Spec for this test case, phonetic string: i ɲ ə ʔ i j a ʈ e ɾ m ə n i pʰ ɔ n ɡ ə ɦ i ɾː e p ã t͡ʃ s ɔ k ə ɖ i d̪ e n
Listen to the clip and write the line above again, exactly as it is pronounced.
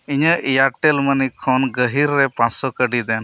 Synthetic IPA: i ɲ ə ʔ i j a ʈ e l m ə n i kʰ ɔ n ɡ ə ɦ i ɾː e p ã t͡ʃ s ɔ k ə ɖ i d̪ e n

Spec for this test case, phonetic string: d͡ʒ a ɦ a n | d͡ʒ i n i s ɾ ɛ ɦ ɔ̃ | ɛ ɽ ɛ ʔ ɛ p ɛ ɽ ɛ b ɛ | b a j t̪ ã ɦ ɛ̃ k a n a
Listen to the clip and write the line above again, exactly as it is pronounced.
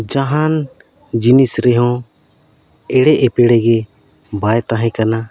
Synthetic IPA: d͡ʒ a ɦ a n | d͡ʒ i n i s ɾ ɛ ɦ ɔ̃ | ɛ ɽ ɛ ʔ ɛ p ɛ ɽ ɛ ɡ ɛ | b a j t̪ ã ɦ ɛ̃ k a n a

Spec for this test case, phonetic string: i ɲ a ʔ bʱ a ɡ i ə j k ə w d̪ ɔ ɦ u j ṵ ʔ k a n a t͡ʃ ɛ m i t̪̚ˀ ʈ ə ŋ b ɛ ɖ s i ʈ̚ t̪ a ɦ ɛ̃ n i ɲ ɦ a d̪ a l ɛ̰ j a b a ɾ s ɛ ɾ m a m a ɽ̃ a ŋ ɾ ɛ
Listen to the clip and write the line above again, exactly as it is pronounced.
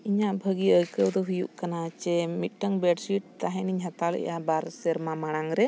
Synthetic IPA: i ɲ a ʔ bʱ ə ɡ i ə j k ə w d̪ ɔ ɦ u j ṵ ʔ k a n a t͡ʃ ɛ m i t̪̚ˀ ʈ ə ŋ b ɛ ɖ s i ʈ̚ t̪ a ɦ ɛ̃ n i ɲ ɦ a t̪ a l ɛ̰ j a b a ɾ s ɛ ɾ m a m a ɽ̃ a ŋ ɾ ɛ

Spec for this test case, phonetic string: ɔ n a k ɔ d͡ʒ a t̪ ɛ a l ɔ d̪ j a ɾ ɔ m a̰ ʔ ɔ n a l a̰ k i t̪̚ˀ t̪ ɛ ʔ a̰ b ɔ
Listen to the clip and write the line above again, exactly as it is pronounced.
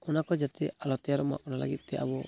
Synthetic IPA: ɔ n a k ɔ d͡ʒ a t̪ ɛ a l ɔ t̪ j a ɾ ɔ m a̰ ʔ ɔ n a l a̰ ɡ i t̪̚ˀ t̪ ɛ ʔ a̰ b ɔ

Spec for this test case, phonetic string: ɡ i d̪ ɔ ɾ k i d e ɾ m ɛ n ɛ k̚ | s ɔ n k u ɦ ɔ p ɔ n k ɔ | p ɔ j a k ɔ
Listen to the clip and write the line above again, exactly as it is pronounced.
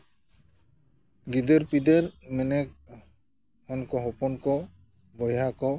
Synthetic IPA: ɡ i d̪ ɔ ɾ p i d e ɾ m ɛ n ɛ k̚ | h ɔ n k ɔ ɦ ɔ p ɔ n k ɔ | b ɔ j a k ɔ

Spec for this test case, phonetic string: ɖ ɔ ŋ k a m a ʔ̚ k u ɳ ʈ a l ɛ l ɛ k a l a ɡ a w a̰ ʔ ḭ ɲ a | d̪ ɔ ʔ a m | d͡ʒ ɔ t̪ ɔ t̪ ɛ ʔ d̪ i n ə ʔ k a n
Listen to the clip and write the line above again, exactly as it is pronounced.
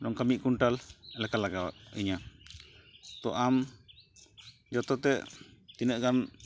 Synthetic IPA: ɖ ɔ ŋ k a m i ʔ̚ k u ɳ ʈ a l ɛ l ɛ k a l a ɡ a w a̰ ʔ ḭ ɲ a | t̪ ɔ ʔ a m | d͡ʒ ɔ t̪ ɔ t̪ ɛ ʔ t̪ i n ə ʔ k a n

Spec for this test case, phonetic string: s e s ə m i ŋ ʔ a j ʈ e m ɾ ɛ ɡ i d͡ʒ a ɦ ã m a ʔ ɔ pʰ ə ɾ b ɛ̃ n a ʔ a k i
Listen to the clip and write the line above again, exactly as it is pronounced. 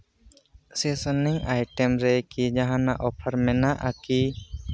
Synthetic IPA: s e s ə n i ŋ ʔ a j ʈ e m ɾ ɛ k i d͡ʒ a ɦ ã n a ʔ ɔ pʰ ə ɾ m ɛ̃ n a ʔ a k i

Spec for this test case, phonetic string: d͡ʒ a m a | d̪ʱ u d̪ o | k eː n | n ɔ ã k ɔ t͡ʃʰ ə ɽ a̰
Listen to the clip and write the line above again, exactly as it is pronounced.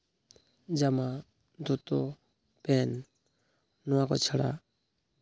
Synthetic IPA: d͡ʒ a m a | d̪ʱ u t̪ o | p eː n | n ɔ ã k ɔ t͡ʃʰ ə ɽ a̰

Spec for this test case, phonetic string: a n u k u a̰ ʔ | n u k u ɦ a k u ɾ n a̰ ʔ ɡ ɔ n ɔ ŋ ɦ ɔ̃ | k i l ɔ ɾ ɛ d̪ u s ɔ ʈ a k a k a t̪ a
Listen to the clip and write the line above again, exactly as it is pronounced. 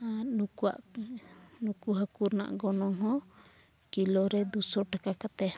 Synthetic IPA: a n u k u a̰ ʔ | n u k u ɦ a k u ɾ n a̰ ʔ ɡ ɔ n ɔ ŋ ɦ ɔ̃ | k i l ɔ ɾ ɛ d̪ u s ɔ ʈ a k a k a t̪ ɛ

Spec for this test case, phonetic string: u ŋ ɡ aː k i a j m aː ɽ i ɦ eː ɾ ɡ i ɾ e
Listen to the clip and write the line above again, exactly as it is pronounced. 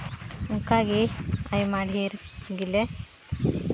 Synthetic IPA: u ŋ k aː ɡ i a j m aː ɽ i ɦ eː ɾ ɡ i l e

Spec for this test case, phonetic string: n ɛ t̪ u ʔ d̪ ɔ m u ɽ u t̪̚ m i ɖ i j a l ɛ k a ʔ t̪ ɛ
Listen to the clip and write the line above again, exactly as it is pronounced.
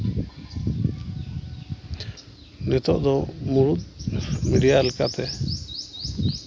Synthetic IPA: n ɛ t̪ ɔ ʔ d̪ ɔ m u ɾ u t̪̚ m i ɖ i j a l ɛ k a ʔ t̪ ɛ

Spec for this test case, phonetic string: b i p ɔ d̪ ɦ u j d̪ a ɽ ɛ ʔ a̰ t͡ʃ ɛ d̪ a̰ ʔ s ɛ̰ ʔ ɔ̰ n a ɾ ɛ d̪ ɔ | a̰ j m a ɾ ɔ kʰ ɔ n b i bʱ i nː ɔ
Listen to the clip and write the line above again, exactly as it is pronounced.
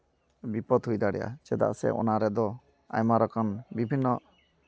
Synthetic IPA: b i p ɔ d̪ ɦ u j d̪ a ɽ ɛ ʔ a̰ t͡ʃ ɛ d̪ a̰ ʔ s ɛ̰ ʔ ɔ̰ n a ɾ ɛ d̪ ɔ | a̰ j m a ɾ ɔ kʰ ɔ n b i bʱ i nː ɔ

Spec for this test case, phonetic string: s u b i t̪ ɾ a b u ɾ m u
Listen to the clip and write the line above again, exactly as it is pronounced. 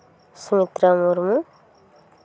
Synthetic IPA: s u m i t̪ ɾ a m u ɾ m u

